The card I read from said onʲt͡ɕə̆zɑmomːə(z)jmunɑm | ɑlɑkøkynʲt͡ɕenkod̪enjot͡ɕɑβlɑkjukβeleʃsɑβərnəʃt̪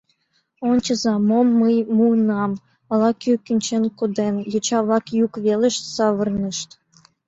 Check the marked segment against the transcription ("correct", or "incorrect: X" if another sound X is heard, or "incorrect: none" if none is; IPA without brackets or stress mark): incorrect: none